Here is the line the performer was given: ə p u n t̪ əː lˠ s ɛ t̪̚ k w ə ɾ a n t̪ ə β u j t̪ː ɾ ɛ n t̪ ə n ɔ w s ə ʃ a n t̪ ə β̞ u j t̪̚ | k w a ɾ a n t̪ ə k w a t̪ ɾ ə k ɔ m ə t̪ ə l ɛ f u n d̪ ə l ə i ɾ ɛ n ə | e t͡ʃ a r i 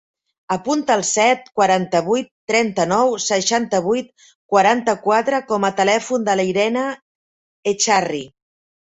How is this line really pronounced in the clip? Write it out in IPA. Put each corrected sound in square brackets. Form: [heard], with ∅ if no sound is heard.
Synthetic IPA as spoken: ə p u n t̪ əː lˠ s ɛ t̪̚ k w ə ɾ a n t̪ ə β u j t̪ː ɾ ɛ n t̪ ə n ɔ w s ə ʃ a n t̪ ə β̞ u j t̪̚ | k w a ɾ a n t̪ ə k w a t̪ ɾ ə k ɔ m ə t̪ ə l ɛ f u n d̪ ə l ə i ɾ ɛ n ə | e t͡ʃ a r i